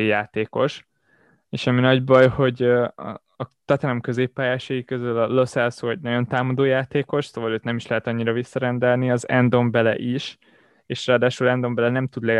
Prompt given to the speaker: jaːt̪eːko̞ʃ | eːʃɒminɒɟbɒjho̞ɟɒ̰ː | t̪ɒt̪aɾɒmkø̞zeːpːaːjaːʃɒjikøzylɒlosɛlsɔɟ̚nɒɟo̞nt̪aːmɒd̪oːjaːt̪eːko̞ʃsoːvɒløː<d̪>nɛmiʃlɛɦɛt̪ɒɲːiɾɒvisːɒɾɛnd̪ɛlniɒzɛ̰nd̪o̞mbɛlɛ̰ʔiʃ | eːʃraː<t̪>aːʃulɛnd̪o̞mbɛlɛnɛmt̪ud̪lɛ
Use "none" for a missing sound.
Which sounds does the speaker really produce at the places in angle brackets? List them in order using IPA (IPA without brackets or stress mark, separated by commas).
t̪, d̪